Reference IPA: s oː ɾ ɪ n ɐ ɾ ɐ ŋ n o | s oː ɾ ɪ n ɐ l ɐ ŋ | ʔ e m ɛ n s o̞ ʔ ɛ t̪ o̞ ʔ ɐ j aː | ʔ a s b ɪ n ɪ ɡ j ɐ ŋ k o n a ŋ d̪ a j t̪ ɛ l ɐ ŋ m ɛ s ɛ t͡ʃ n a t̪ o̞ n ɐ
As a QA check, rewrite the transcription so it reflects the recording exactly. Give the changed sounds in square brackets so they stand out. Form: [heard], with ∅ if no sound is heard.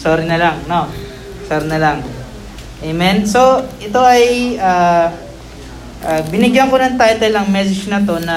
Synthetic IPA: s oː ɾ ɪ n ɐ [l] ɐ ŋ n o | s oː ɾ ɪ n ɐ l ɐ ŋ | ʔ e m ɛ n s o̞ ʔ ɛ t̪ o̞ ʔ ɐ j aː | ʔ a [∅] b ɪ n ɪ ɡ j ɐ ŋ k o n [ɐ] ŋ [t̪] a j t̪ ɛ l ɐ ŋ m ɛ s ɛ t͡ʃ n [ɐ] t̪ o̞ n ɐ